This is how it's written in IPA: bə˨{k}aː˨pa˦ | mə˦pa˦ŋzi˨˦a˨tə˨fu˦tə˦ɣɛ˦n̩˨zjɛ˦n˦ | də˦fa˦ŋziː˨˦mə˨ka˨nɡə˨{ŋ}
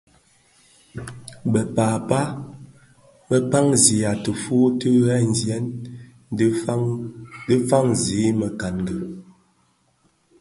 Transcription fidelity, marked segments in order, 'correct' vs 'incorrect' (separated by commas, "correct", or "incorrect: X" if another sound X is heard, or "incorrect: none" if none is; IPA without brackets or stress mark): incorrect: p, incorrect: none